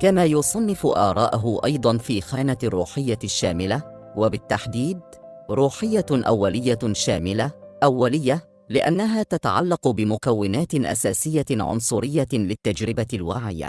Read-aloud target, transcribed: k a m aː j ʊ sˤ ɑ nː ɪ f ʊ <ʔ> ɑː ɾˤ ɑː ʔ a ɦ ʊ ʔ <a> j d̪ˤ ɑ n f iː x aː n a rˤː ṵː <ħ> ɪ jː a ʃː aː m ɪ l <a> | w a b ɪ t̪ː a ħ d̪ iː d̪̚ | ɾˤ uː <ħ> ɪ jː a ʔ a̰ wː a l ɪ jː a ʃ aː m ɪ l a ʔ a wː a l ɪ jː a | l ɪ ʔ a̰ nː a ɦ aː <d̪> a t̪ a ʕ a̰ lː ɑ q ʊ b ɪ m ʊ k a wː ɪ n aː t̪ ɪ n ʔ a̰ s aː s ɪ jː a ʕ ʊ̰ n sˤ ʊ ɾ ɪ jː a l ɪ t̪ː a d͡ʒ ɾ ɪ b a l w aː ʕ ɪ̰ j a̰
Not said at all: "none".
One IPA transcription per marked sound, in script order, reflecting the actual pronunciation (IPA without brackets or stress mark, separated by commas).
ʔ, ɑ, ħ, a, ħ, t̪